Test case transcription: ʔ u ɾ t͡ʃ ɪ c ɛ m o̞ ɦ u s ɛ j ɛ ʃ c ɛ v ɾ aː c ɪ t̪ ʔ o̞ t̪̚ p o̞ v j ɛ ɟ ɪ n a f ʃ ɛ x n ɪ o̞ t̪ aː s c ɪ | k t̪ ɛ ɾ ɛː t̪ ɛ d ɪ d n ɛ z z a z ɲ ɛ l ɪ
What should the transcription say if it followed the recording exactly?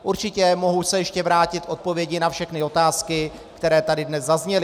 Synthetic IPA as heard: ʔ u ɾ t͡ʃ ɪ c ɛ m o̞ ɦ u s ɛ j ɛ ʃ c ɛ v ɾ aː c ɪ t̪ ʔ o̞ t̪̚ p o̞ v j ɛ ɟ ɪ n a f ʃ ɛ x n ɪ o̞ t̪ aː s k ɪ | k t̪ ɛ ɾ ɛː t̪ a d ɪ d n ɛ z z a z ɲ ɛ l ɪ